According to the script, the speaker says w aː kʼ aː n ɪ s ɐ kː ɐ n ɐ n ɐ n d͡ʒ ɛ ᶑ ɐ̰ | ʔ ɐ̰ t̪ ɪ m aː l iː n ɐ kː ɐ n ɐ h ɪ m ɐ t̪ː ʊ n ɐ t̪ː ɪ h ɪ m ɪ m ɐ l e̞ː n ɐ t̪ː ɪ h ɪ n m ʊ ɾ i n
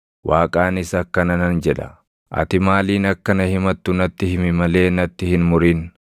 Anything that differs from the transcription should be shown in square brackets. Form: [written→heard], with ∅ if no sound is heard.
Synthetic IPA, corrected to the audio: w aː kʼ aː n ɪ s ɐ kː ɐ n ɐ n ɐ n d͡ʒ ɛ ᶑ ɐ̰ | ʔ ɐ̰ t̪ ɪ m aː l iː n ɐ kː ɐ n ɐ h ɪ m ɐ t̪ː ʊ n ɐ t̪ː ɪ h ɪ m ɪ m ɐ l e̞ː n ɐ t̪ː ɪ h ɪ n m ʊ ɾ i n

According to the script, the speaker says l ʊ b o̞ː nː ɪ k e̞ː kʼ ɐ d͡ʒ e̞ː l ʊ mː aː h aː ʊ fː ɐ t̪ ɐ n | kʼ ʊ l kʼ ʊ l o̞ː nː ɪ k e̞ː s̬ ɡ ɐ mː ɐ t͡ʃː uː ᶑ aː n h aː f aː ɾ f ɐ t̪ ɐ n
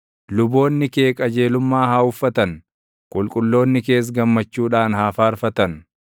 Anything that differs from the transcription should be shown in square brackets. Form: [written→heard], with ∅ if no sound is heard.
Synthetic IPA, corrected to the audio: l ʊ b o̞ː nː ɪ k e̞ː kʼ ɐ d͡ʒ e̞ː l ʊ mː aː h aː ʊ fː ɐ t̪ ɐ n | kʼ ʊ l kʼ ʊ [l→lː] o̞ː nː ɪ k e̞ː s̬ ɡ ɐ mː ɐ t͡ʃː uː ᶑ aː n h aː f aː ɾ f ɐ t̪ ɐ n

